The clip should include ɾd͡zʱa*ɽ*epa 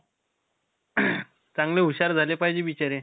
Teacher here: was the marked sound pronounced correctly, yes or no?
no